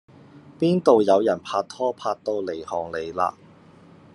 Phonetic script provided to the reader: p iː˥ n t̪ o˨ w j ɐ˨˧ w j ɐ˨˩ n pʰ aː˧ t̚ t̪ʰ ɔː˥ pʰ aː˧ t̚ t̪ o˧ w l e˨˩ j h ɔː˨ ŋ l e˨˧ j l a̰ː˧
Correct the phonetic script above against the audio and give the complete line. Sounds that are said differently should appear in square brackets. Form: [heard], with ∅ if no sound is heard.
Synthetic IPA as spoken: p iː˥ n t̪ o˨ w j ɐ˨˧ w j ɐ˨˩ n pʰ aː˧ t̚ t̪ʰ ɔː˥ pʰ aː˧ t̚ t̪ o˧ w l e˨˩ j h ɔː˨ ŋ l e˨˧ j l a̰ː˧